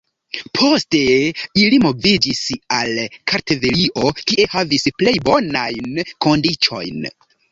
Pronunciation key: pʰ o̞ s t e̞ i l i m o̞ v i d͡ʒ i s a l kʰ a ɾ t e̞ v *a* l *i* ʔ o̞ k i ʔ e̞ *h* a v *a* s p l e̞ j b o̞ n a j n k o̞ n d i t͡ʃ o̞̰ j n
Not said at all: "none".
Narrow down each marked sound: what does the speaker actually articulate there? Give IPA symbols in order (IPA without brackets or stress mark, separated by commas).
e, i, h, i